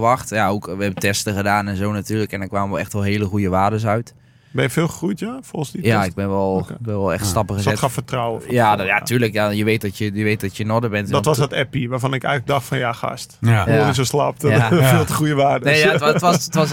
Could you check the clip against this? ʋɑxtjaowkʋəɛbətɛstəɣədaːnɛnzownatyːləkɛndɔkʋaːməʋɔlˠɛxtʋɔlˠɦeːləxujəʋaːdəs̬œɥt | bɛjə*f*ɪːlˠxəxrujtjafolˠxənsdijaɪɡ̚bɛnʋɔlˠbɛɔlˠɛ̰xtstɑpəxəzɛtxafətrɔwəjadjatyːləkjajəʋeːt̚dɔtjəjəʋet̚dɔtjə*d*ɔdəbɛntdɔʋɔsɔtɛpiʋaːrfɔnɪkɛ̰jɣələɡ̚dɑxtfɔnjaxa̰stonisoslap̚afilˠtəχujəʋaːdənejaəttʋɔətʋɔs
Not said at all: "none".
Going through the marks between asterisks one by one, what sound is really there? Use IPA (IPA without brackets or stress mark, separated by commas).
f, n